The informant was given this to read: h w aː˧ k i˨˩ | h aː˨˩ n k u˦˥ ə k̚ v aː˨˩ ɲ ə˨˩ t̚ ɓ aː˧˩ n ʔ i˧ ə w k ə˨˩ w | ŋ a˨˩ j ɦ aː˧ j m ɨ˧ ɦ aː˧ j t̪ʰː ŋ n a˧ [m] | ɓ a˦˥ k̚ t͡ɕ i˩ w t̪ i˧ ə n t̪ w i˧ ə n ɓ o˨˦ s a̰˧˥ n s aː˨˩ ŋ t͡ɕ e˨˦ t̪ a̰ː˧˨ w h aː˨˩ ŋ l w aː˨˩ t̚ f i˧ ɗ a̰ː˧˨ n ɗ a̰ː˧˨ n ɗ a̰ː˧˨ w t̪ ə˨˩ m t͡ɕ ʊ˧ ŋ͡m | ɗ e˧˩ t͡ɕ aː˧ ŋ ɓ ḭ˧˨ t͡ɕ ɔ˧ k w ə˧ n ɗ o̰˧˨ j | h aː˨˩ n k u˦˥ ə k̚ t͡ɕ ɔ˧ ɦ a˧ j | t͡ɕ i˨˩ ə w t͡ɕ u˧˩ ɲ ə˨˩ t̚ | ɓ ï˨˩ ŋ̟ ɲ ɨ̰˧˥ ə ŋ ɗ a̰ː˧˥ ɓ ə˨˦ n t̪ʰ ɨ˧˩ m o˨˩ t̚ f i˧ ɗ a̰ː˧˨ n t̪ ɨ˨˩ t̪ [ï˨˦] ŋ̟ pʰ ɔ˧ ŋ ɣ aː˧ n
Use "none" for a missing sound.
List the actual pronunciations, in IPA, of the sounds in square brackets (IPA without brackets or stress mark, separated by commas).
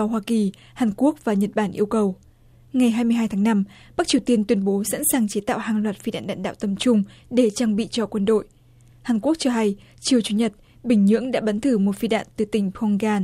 m, ï˨˩